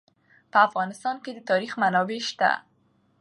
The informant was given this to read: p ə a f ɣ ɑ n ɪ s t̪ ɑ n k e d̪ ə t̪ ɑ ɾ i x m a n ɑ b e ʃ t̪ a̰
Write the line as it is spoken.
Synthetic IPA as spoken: p ə a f ɣ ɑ n ɪ s t̪ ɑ n k e d̪ ə t̪ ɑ ɾ i x m a n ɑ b e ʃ t̪ a̰